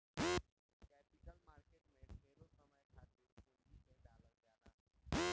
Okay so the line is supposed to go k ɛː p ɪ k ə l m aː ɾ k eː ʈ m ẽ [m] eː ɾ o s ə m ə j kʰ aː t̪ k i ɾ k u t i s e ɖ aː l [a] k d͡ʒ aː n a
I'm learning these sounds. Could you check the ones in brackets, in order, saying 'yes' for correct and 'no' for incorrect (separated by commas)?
yes, no